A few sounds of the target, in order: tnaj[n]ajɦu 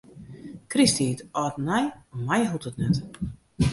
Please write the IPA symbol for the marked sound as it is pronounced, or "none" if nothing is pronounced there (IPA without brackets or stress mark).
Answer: m